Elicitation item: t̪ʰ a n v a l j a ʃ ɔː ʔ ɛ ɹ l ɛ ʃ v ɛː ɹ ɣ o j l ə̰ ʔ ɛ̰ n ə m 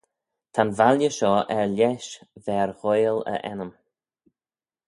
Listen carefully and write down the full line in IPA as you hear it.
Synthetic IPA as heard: t̪ʰ a n v a l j ə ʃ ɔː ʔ ɛ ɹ l ɛ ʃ v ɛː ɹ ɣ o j l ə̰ ʔ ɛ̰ n ə m